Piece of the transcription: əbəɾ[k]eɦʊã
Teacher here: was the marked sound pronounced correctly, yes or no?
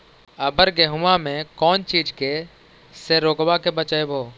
no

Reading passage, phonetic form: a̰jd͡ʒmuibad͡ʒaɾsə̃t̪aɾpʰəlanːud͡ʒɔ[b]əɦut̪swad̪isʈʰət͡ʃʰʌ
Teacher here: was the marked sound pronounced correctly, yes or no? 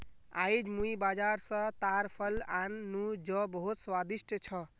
yes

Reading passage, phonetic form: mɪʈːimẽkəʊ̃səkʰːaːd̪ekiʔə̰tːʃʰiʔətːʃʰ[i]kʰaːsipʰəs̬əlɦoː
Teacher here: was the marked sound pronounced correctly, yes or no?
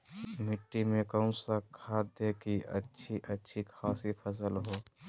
yes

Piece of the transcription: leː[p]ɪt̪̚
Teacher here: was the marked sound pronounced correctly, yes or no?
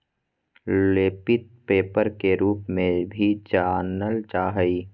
yes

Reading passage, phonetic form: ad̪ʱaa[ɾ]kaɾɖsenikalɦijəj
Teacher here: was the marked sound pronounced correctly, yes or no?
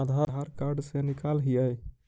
yes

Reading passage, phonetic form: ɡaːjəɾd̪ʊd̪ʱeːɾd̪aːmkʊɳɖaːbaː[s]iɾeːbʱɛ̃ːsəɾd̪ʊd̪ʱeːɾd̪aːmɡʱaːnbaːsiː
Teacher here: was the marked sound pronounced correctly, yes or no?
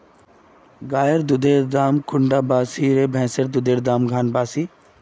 yes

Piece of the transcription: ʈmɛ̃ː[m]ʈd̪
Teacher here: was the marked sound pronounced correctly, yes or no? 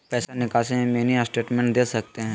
no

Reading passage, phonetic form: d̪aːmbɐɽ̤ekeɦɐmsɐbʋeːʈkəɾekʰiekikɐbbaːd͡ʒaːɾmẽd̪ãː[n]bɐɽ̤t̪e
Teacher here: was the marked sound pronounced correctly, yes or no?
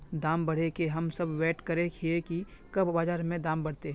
no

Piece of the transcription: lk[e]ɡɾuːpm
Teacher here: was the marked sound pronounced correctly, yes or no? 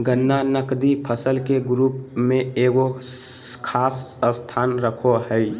yes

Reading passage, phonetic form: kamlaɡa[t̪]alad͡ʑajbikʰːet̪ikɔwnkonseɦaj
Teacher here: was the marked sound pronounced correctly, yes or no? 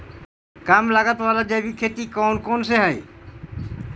yes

